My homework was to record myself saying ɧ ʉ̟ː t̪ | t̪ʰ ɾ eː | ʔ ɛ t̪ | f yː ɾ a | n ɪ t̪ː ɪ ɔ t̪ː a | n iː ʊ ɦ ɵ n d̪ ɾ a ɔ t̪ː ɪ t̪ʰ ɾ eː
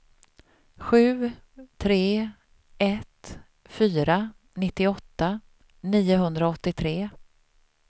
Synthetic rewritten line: ɧ ʉ̟ː | t̪ʰ ɾ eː | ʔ ɛ t̪ | f yː ɾ a | n ɪ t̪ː ɪ ɔ t̪ː a | n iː ʊ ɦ ɵ n d̪ ɾ a ɔ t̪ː ɪ t̪ʰ ɾ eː